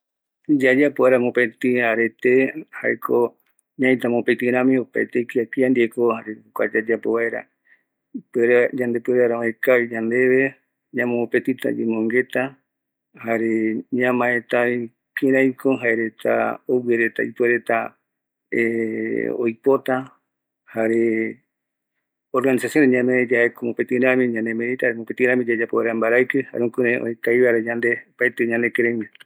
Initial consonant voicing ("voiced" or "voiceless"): voiced